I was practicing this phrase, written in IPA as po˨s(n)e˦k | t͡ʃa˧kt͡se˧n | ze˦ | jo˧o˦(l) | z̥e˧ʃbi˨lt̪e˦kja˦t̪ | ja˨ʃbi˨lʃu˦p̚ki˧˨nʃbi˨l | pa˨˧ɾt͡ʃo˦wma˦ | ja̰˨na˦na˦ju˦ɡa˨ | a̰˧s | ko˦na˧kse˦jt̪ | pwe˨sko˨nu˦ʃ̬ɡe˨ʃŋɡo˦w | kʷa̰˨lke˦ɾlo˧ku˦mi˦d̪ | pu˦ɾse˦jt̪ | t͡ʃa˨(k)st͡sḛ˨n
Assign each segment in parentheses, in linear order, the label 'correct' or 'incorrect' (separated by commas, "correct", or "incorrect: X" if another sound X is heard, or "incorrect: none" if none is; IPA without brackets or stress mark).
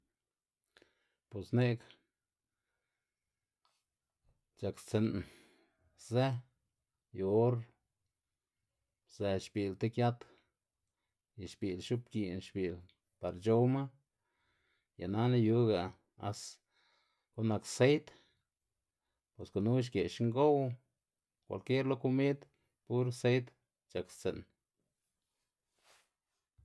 correct, incorrect: ɾ, correct